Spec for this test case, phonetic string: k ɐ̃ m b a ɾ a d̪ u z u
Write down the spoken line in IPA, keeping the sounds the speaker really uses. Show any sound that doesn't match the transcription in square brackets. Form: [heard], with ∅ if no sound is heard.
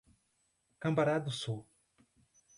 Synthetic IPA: k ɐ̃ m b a ɾ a d̪ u [s] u